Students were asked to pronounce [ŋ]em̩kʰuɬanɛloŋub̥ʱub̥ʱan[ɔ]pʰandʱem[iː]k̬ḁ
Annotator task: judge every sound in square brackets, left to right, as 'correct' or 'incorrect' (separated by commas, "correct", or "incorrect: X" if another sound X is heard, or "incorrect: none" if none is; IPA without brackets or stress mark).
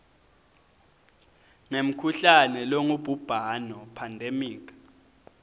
correct, correct, correct